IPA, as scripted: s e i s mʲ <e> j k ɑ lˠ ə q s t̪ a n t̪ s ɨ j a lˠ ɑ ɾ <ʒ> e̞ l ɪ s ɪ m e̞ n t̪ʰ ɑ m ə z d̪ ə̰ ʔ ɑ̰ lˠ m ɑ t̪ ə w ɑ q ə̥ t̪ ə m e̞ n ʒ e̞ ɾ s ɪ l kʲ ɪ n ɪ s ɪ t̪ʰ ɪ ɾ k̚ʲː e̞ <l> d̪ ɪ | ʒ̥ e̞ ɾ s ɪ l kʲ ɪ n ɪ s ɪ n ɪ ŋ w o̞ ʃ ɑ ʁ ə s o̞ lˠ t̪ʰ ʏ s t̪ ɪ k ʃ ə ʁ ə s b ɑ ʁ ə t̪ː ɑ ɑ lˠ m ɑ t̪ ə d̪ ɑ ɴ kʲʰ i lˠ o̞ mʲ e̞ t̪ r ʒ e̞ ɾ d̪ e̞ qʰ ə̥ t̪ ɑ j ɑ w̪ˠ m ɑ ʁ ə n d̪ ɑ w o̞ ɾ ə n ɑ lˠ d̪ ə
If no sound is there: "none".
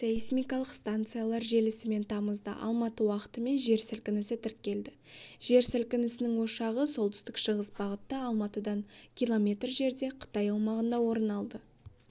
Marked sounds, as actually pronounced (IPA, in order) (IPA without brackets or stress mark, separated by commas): i, ʒ, l